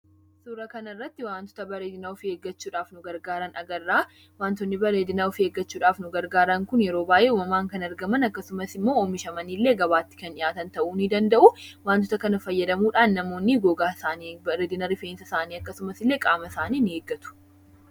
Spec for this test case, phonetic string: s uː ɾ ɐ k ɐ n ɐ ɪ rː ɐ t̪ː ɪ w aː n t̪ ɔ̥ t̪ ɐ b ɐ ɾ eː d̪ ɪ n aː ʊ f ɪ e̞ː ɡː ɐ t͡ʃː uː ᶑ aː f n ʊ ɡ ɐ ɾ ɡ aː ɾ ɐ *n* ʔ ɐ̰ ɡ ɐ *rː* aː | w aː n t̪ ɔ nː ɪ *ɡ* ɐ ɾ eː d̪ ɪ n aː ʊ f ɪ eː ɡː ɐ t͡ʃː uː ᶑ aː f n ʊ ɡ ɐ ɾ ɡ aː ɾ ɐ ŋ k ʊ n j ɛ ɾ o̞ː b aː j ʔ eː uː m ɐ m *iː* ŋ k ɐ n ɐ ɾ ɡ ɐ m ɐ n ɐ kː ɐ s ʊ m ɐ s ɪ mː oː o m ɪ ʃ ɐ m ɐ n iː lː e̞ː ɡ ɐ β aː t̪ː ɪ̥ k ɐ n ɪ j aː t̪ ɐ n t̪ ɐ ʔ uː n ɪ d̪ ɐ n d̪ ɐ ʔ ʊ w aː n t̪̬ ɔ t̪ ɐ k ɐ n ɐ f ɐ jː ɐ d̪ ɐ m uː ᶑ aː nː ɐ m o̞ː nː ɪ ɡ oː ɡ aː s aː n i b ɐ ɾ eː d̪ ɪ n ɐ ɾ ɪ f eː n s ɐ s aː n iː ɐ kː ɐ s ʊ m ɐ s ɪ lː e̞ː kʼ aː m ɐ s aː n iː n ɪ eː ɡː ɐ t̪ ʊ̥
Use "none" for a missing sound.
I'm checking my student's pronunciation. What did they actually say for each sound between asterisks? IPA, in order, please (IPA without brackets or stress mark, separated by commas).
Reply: n, rː, b, aː